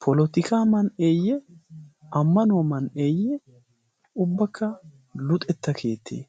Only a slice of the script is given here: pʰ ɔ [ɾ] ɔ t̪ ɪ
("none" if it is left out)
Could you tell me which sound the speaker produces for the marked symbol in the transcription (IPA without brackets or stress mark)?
l